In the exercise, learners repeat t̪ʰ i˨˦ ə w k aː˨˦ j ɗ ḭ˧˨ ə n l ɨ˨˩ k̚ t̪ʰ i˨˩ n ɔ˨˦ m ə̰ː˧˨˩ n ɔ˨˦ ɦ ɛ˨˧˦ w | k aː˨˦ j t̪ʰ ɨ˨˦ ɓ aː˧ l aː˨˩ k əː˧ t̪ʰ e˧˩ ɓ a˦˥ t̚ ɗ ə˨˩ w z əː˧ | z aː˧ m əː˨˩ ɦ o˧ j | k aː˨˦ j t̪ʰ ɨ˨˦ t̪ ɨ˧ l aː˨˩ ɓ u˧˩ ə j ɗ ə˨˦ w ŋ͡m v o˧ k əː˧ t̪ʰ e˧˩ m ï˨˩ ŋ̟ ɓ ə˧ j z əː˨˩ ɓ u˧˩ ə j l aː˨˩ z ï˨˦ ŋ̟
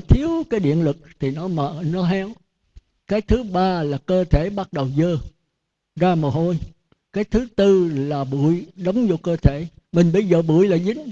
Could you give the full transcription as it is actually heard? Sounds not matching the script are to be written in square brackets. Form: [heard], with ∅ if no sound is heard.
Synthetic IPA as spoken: t̪ʰ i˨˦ ə w k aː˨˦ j ɗ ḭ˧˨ ə n l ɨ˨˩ k̚ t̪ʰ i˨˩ n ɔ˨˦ m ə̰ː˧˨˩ n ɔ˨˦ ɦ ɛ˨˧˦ w | k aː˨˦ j t̪ʰ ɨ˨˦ ɓ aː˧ l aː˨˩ k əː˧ t̪ʰ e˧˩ ɓ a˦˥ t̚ ɗ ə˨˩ w z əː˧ | z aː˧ m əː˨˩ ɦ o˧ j | k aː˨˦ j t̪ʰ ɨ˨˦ t̪ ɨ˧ l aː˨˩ ɓ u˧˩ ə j ɗ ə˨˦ w ŋ͡m [z] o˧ k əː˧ t̪ʰ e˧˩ m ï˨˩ ŋ̟ ɓ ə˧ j z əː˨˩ ɓ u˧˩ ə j l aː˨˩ z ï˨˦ ŋ̟